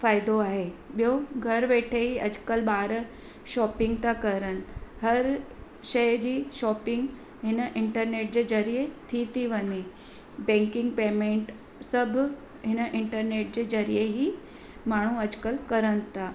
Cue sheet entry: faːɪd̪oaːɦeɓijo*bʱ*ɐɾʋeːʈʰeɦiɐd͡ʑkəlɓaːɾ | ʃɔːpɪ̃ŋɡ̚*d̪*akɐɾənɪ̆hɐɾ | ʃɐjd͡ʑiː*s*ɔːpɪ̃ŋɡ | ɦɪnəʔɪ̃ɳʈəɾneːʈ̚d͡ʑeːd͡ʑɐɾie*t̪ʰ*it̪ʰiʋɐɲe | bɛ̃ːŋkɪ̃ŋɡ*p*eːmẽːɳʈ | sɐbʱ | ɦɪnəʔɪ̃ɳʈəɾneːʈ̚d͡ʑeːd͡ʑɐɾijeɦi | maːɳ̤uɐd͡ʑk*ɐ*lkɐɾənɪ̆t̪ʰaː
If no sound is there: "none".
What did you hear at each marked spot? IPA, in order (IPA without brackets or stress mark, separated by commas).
ɡʱ, t̪, ʃ, t̪ʰ, p, ə